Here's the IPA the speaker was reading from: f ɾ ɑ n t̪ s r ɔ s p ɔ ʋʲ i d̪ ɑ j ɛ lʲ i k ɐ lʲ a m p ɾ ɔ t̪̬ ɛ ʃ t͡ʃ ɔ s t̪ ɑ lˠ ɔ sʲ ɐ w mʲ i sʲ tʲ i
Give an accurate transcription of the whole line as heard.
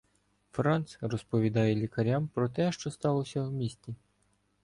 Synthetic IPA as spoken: f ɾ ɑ n t̪ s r ɔ s p ɔ ʋʲ i d̪ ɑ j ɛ lʲ i k ɐ ɾʲ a m p ɾ ɔ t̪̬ ɛ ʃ t͡ʃ ɔ s t̪ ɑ lˠ ɔ sʲ ɐ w mʲ i sʲ tʲ i